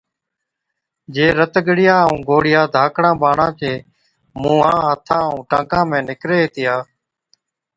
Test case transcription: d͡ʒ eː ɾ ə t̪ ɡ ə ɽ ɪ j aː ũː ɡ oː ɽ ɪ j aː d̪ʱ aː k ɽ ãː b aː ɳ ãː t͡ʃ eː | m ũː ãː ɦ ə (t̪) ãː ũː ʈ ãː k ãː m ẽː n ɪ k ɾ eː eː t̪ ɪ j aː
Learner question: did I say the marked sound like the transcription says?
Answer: no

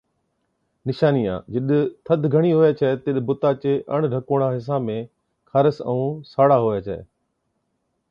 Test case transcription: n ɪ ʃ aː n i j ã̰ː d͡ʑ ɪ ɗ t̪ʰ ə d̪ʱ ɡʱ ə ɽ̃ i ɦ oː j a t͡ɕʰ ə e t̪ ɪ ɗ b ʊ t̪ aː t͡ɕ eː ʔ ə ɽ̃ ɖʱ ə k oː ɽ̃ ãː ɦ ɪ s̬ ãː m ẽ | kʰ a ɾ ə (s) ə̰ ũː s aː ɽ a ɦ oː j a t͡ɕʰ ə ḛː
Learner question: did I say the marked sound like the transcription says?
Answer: yes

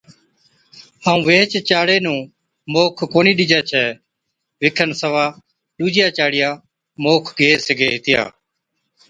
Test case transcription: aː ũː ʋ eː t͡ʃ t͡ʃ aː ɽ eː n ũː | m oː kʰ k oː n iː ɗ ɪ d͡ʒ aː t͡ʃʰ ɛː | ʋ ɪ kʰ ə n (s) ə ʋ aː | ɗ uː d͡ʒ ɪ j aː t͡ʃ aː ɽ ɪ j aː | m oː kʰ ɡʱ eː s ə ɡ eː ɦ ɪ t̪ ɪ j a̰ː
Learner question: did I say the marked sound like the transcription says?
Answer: yes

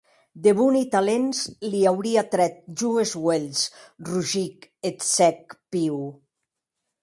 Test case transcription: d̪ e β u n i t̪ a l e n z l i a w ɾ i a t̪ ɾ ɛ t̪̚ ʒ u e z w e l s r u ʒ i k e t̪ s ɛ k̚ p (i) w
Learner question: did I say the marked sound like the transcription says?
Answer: yes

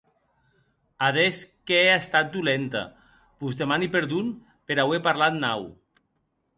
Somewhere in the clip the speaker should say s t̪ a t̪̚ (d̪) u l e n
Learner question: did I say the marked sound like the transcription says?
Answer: yes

